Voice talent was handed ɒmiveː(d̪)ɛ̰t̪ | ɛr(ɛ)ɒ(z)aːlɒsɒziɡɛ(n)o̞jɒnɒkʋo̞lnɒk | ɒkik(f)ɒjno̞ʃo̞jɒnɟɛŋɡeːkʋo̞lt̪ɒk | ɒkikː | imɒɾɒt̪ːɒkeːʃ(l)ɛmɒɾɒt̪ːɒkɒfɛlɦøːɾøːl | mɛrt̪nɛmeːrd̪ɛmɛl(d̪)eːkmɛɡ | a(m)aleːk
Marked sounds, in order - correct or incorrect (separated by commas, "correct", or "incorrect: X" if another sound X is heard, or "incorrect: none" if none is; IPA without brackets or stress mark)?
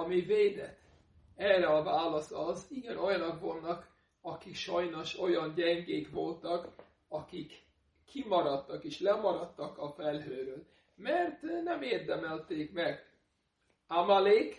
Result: correct, correct, incorrect: v, correct, incorrect: ʃ, correct, incorrect: t̪, correct